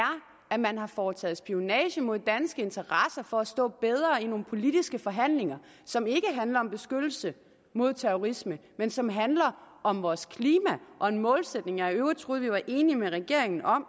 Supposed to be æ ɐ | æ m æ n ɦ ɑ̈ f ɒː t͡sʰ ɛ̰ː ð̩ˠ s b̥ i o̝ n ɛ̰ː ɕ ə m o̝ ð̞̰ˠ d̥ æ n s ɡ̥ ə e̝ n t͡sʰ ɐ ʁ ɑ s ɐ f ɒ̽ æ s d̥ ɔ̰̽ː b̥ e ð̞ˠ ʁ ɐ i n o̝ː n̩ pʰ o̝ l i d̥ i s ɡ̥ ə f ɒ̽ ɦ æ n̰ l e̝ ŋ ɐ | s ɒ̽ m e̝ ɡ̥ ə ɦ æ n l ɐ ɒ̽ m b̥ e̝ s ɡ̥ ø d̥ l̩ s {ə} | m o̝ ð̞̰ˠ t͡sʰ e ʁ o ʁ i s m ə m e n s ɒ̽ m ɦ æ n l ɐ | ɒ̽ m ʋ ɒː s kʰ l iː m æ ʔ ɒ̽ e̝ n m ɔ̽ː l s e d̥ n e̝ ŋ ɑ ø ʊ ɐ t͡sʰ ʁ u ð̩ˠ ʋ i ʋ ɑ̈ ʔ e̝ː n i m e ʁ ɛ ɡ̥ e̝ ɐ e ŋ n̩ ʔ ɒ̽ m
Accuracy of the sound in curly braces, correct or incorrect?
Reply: correct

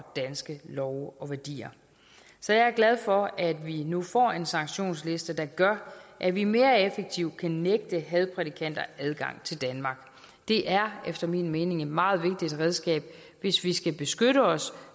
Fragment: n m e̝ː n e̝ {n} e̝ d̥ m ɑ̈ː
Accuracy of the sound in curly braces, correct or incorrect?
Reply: incorrect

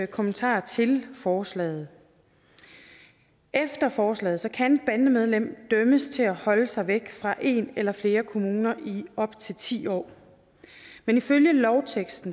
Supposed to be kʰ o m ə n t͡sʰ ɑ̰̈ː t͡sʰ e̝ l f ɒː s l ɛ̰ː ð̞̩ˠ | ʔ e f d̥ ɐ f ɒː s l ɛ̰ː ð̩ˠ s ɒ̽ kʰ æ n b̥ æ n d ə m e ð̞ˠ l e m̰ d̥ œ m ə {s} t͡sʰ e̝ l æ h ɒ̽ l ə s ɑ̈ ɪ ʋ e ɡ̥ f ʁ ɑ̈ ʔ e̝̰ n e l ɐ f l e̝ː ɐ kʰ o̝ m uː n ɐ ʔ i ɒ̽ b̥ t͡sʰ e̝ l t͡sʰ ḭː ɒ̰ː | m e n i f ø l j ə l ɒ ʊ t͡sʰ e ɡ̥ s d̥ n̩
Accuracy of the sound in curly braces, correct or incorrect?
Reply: correct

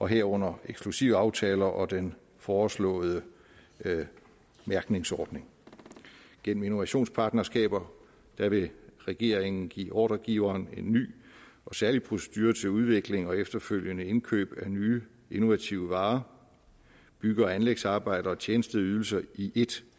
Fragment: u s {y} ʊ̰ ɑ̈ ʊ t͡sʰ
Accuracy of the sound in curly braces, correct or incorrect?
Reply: incorrect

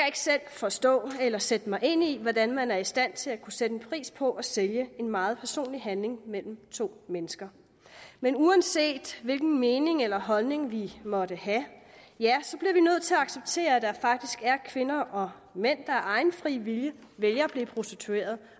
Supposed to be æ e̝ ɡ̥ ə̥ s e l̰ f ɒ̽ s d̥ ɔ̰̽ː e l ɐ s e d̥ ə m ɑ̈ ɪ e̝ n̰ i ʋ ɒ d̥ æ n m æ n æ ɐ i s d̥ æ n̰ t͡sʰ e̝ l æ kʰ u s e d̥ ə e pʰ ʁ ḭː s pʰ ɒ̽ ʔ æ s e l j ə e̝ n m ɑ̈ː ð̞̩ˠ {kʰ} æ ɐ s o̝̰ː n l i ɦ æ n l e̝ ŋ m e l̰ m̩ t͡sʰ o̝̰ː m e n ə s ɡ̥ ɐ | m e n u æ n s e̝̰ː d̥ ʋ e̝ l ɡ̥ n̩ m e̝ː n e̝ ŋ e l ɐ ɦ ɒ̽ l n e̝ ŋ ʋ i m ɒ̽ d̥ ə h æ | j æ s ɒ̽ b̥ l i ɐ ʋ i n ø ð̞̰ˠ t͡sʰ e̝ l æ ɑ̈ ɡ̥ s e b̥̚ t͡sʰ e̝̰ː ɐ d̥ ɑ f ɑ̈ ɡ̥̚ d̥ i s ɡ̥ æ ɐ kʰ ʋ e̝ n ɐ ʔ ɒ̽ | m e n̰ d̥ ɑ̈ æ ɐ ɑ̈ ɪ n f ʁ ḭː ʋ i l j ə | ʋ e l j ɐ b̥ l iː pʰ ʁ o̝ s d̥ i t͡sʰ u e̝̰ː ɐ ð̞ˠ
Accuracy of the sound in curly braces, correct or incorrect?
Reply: incorrect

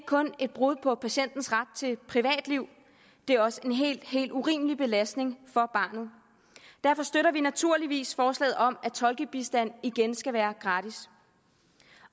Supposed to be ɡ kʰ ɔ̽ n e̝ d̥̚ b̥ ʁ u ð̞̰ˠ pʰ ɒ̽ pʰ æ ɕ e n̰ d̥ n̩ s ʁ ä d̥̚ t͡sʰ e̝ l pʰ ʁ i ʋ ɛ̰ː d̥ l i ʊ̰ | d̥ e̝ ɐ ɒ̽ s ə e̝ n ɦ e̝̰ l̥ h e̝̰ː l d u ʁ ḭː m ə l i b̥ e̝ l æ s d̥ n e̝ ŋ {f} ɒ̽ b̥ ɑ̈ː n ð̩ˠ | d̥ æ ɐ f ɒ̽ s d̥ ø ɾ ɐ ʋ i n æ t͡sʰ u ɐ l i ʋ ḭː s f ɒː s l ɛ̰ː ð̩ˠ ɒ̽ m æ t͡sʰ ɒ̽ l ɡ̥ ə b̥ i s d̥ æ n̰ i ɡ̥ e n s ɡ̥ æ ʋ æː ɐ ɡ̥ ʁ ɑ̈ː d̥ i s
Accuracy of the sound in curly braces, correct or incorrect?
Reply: correct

